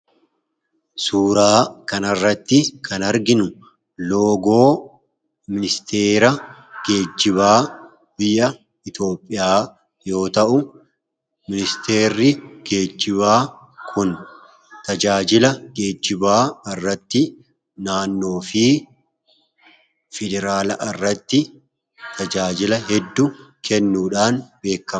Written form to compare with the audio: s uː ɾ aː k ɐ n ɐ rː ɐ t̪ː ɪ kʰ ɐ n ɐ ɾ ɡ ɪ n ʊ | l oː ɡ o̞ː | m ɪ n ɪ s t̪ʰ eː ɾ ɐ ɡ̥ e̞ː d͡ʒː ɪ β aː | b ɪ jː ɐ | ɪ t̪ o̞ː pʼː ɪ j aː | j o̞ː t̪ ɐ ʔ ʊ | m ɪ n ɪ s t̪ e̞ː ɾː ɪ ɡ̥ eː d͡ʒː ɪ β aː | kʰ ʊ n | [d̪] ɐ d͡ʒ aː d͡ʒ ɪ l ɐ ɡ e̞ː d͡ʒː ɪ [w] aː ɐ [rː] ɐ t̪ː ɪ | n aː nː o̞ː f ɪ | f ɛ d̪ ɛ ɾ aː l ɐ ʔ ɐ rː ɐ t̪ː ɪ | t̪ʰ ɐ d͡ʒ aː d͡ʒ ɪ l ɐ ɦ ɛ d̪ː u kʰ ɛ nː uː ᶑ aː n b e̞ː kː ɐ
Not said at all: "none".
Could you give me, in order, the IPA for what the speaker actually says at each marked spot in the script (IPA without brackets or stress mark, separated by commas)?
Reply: t̪, b, rː